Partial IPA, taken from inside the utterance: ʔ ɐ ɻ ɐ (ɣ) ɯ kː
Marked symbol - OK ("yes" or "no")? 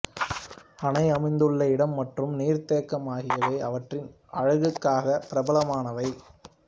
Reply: yes